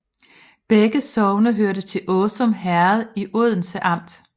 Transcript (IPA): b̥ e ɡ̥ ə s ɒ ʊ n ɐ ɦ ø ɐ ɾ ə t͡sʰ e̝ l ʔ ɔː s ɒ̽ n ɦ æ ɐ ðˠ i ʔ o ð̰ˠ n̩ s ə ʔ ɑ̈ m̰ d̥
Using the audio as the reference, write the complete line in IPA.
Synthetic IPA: b̥ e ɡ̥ ə s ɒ ʊ n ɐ ɦ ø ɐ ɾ ə t͡sʰ e̝ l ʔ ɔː s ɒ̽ m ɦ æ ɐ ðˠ i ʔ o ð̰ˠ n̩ s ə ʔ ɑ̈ m̰ d̥